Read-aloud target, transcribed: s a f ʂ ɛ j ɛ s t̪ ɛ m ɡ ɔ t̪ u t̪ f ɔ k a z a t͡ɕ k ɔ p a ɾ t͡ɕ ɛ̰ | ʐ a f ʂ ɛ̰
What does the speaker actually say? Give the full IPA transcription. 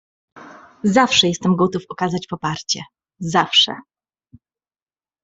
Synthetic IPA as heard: z a f ʂ ɛ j ɛ s t̪ ɛ m ɡ ɔ t̪ u f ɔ k a z a t͡ɕ p ɔ p a ɾ t͡ɕ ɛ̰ | z a f ʂ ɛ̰